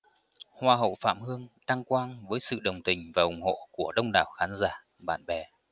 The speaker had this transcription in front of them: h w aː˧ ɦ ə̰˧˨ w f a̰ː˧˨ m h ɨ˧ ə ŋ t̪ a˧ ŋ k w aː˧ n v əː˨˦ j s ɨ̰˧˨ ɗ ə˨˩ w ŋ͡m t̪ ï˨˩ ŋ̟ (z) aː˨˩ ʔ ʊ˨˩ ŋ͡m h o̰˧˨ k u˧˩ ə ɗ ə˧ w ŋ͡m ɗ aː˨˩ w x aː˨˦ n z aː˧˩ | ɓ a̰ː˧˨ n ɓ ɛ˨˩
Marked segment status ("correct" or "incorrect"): incorrect